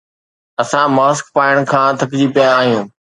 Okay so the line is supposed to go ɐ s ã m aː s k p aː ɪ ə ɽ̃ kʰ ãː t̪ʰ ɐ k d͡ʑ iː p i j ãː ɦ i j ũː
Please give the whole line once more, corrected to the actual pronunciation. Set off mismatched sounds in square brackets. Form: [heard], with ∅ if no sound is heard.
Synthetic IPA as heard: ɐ s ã m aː s k p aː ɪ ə ɽ̃ kʰ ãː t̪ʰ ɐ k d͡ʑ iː p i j [aː] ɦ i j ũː